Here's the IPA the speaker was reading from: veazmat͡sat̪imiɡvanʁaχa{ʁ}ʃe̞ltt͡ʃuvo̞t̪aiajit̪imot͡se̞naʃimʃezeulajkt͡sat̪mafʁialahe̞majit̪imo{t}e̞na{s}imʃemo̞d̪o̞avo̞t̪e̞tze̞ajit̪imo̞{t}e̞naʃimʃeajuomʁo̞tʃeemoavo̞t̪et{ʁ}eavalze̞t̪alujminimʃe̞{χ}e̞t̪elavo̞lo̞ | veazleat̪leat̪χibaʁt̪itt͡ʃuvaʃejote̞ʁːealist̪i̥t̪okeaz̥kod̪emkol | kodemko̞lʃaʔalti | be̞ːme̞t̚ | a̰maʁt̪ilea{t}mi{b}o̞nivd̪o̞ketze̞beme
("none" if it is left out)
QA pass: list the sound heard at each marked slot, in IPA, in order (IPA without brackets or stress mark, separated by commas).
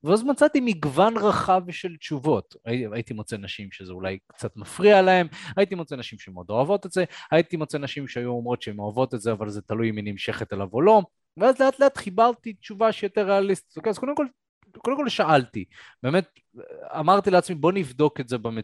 v, t͡s, ʃ, t͡s, z, χ, t͡s, b